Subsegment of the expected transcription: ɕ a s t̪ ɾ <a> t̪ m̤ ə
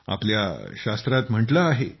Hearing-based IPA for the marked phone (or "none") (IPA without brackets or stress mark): a